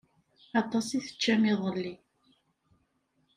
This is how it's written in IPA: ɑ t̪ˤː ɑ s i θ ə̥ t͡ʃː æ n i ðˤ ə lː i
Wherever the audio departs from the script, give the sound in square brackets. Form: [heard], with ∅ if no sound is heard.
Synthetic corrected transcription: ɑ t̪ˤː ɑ s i θ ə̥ t͡ʃː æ [m] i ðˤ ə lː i

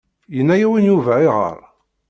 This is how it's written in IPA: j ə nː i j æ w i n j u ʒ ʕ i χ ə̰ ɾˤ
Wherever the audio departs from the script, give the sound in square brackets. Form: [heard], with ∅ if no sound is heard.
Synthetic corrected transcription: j ə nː [æ] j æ w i n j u [v] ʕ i [ʁ] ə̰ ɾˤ

